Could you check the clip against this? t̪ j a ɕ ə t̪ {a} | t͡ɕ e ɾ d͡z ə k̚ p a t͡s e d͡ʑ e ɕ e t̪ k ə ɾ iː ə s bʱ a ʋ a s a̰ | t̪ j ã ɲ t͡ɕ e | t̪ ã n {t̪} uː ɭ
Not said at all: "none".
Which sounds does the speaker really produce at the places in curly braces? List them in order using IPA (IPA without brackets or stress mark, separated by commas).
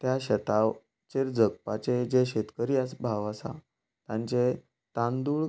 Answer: a, d̪